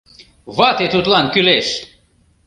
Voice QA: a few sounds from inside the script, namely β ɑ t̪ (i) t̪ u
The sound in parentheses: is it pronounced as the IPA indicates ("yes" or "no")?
no